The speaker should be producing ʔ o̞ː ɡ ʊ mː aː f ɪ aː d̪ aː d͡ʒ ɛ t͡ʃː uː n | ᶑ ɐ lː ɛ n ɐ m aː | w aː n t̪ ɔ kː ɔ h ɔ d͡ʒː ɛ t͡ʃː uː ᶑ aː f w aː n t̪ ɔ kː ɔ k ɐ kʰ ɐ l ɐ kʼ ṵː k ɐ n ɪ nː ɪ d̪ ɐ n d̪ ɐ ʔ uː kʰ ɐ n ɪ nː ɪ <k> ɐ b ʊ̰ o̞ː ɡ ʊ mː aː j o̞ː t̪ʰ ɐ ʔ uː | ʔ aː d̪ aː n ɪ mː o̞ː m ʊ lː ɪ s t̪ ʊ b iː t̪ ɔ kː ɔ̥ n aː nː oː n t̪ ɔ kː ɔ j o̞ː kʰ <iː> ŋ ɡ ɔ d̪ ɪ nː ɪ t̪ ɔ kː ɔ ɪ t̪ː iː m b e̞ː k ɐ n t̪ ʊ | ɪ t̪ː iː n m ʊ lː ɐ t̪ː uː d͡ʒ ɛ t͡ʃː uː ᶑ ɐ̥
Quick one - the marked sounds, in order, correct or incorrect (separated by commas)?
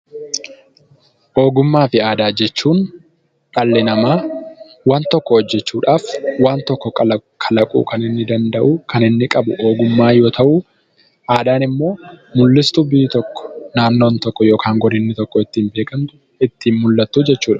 incorrect, incorrect